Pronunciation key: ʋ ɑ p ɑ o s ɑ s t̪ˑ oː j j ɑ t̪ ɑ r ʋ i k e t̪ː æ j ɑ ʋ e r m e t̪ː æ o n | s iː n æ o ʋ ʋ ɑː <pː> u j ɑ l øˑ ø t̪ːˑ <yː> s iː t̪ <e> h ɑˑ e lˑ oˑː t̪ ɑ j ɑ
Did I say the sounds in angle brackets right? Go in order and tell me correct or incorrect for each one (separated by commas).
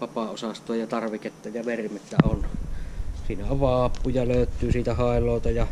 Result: correct, correct, incorrect